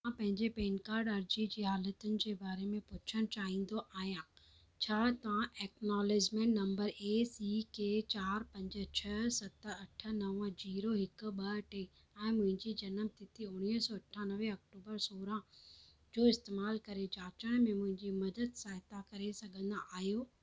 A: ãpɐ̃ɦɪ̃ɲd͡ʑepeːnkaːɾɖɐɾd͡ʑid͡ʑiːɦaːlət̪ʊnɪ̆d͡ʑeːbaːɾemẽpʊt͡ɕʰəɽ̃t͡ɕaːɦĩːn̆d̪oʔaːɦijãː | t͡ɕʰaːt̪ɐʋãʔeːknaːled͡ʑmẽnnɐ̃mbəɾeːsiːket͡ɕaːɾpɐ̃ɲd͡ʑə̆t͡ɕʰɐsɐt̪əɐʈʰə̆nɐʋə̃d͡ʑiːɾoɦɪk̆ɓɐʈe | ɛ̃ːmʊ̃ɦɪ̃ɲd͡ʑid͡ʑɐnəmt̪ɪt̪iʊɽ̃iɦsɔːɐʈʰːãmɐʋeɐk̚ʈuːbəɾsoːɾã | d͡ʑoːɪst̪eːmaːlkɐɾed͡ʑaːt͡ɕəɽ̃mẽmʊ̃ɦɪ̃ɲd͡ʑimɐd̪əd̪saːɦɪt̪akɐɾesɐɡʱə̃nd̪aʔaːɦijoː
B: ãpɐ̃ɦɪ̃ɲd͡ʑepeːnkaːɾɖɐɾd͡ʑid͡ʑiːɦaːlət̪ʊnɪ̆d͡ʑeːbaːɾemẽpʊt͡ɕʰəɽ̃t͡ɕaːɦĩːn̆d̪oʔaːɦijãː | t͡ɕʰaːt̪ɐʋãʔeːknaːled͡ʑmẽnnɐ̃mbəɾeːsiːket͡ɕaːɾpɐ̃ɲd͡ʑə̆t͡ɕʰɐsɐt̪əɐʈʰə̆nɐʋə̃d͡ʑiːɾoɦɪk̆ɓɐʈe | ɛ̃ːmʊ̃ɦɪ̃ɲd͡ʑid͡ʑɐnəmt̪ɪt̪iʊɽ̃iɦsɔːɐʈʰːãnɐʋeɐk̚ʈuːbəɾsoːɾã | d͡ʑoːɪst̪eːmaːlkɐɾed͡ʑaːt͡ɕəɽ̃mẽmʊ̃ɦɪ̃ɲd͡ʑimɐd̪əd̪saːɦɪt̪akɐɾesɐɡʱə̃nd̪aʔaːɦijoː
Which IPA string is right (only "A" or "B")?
B